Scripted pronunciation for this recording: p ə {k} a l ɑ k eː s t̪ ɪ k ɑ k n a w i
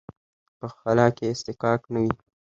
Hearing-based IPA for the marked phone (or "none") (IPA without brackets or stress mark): x